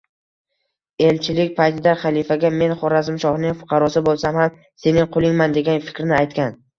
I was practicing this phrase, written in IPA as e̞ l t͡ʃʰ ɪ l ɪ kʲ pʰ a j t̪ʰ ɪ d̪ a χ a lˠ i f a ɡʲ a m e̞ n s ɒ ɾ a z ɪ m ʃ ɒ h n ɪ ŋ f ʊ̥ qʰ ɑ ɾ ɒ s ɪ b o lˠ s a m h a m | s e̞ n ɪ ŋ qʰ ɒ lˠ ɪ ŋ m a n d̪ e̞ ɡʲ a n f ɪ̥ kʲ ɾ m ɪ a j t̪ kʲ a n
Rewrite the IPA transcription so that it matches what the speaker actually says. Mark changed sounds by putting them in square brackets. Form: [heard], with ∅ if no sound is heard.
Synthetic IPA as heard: e̞ l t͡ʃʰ ɪ l ɪ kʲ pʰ a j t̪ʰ ɪ d̪ a χ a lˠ i f a ɡʲ a m e̞ n [χ] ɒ ɾ a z ɪ m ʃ ɒ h n ɪ ŋ f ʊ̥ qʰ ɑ ɾ ɒ s ɪ b o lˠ s a m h a m | s e̞ n ɪ ŋ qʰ [o] lˠ ɪ ŋ m a n d̪ e̞ ɡʲ a n f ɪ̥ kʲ ɾ [n] ɪ a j t̪ kʲ a n

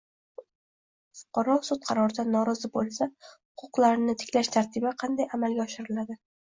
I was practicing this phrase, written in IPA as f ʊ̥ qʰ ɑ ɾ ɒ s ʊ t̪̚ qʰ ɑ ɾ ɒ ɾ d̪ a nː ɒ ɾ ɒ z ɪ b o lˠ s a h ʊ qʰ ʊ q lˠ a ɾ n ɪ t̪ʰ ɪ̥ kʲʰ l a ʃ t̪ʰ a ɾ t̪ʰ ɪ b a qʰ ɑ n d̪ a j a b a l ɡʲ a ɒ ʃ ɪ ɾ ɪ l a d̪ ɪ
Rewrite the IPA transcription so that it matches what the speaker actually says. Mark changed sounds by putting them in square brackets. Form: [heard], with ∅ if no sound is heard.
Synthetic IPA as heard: f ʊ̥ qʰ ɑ ɾ ɒ s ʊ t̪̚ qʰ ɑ ɾ ɒ ɾ d̪ a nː ɒ ɾ ɒ z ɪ b o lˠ s a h ʊ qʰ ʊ q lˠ a ɾ n ɪ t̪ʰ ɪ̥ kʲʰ l a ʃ t̪ʰ a ɾ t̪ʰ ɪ b a qʰ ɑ n d̪ a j a [m] a l ɡʲ a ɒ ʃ ɪ ɾ ɪ l a d̪ ɪ

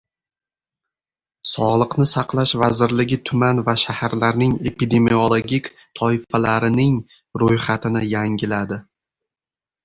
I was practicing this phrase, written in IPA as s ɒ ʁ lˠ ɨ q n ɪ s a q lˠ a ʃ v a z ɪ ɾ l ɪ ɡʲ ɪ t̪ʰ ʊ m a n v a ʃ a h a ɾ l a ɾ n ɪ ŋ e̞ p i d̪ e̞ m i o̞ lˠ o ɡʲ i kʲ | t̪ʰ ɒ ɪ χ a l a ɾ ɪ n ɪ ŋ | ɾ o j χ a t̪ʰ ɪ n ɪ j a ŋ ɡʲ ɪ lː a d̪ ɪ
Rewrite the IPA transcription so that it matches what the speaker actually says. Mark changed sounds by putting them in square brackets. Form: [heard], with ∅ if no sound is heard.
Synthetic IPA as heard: s ɒ ʁ lˠ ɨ q n ɪ s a q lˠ a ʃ v a z ɪ ɾ l ɪ ɡʲ ɪ t̪ʰ ʊ m a n v a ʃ a h a ɾ l a ɾ n ɪ ŋ e̞ p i d̪ e̞ m i o̞ lˠ o ɡʲ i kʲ | t̪ʰ ɒ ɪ [f] a l a ɾ ɪ n ɪ ŋ | ɾ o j χ a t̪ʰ ɪ n ɪ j a ŋ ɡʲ ɪ [l] a d̪ ɪ

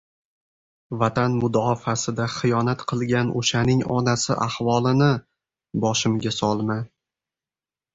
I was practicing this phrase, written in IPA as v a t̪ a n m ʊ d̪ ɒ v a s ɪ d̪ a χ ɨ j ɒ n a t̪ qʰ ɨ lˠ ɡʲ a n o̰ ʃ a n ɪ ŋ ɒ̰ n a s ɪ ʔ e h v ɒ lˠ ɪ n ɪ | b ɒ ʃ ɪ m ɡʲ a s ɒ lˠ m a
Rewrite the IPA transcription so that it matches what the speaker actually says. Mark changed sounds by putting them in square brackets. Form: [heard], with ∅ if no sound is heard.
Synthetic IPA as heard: v a t̪ a n m ʊ d̪ ɒ [f] a s ɪ d̪ a χ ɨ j ɒ n a t̪ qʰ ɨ lˠ ɡʲ a n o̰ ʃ a n ɪ ŋ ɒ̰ n a s ɪ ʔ [a] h v ɒ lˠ ɪ n ɪ | b ɒ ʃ ɪ m ɡʲ a s ɒ lˠ m a

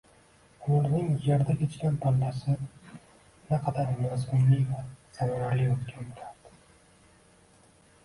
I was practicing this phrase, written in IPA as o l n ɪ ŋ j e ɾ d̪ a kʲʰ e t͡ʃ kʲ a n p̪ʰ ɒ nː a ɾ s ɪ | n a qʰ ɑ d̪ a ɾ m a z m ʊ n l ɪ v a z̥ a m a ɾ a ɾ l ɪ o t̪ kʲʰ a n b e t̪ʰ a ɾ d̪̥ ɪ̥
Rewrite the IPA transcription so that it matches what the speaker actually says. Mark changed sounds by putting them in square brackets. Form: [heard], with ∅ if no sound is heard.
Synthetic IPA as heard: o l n ɪ ŋ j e ɾ d̪ a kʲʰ e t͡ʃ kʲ a n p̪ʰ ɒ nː a [∅] s ɪ | n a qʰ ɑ d̪ a ɾ m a z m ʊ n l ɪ v a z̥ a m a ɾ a ɾ l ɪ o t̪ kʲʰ a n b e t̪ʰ a ɾ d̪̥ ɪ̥

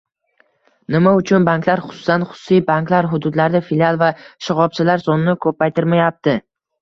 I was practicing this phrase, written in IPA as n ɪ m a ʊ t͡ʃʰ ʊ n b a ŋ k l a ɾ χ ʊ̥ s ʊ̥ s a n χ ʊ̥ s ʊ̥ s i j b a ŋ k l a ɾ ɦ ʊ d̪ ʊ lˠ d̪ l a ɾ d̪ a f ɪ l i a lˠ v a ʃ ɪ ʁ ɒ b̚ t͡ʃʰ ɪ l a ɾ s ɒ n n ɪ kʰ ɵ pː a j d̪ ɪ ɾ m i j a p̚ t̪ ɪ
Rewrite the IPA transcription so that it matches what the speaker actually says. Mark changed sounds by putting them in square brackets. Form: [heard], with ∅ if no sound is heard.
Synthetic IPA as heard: n ɪ m a ʊ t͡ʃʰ ʊ n b a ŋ k l a ɾ χ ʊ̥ s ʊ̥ s a n χ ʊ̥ s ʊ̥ s i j b a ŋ k l a ɾ ɦ ʊ d̪ ʊ [∅] d̪ l a ɾ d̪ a f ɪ l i a lˠ v a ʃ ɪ ʁ ɒ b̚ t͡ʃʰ ɪ l a ɾ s ɒ n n ɪ kʰ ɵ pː a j [t̪] ɪ ɾ m [a] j a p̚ t̪ ɪ

